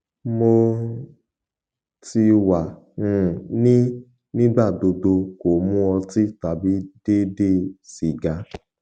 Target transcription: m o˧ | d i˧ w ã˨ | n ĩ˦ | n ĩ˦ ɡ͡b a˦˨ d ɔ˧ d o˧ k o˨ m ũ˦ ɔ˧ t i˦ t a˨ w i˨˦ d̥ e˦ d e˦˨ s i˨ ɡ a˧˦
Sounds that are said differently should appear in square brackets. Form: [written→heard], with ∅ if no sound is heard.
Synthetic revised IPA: m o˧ | [d→t] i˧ w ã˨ | n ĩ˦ | n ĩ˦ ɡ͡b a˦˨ d [ɔ˧→o˧] d o˧ k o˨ m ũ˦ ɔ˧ t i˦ t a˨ [w→b] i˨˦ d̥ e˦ d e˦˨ s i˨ ɡ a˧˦